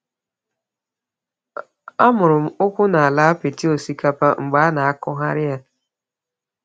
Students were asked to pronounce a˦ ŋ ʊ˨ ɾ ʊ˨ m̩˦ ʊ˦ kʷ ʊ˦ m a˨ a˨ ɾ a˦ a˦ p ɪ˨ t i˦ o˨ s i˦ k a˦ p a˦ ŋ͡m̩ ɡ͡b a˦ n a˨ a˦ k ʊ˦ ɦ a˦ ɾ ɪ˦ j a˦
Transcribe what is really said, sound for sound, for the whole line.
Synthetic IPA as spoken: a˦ m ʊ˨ ɾ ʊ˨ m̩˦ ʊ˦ kʷ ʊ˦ n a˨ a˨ l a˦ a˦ p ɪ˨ t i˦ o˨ s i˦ k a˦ p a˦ ŋ͡m̩ ɡ͡b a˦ n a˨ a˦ k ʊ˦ ɦ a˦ ɾ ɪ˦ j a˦